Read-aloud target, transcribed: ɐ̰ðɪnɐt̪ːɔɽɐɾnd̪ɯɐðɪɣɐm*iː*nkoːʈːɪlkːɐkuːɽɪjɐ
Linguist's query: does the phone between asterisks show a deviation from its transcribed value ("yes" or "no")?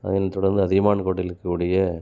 yes